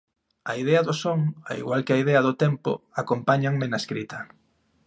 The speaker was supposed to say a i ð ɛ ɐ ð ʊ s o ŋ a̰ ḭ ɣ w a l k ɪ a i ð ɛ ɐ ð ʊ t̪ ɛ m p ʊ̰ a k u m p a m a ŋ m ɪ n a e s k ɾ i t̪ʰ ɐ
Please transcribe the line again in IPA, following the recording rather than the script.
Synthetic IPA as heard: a i ð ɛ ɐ ð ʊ s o ŋ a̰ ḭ ɣ w a l k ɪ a i ð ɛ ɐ ð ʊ t̪ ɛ m p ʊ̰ a k o m p a ɲ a ŋ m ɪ n a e s k ɾ i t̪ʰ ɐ